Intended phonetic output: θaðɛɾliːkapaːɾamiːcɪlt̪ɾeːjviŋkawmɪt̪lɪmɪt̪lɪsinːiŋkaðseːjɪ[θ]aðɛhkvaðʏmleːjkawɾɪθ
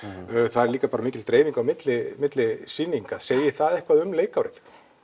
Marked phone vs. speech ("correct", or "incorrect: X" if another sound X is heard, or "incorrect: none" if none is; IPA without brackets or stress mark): correct